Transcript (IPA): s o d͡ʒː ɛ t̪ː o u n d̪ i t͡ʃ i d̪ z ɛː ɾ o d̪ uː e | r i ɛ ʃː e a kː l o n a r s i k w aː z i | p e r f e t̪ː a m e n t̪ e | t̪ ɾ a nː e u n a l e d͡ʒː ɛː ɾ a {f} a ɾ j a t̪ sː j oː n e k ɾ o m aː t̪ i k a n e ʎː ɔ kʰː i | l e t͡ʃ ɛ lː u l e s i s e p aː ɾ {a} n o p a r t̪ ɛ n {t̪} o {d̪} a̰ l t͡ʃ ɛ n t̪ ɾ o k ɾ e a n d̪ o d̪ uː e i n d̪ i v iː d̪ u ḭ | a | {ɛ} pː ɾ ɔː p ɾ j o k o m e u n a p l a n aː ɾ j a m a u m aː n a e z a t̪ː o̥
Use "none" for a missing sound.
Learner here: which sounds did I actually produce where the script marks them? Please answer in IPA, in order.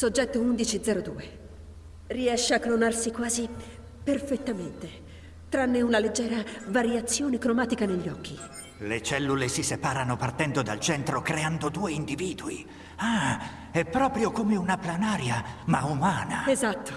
v, a, d̪, d̪, ɛ

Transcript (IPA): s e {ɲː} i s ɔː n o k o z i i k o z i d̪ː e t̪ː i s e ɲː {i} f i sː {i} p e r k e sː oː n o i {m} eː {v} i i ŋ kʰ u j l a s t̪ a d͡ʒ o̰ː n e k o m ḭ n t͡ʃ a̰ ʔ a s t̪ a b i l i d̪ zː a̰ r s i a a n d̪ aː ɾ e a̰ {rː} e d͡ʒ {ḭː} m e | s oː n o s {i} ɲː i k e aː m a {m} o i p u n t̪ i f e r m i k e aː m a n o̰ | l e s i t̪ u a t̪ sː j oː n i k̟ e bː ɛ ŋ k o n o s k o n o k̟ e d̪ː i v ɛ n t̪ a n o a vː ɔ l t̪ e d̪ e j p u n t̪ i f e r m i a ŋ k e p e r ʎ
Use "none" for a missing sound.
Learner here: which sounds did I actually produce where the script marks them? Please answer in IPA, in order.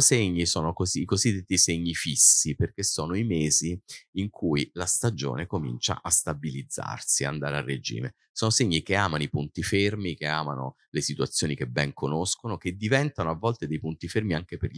ɲː, i, i, m, z, rː, ḭː, e, n

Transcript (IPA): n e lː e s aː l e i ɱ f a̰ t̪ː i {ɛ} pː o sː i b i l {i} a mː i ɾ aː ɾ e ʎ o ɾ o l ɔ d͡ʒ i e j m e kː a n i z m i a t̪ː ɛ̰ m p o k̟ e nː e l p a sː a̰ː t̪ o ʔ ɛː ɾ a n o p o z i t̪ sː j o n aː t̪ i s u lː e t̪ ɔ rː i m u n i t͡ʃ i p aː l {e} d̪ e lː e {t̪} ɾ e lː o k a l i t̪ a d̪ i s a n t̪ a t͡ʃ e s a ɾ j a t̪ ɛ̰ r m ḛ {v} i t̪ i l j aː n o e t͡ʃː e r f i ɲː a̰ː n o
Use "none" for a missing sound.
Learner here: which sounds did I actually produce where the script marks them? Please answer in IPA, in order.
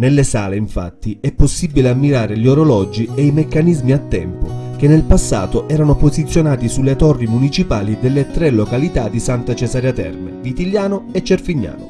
ɛ, e, i, t̪, v

